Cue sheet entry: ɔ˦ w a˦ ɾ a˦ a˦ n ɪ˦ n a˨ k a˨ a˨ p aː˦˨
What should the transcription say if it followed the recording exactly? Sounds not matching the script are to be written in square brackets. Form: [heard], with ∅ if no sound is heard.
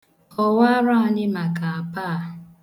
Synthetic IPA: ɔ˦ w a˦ ɾ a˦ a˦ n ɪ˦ [m] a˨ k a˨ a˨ p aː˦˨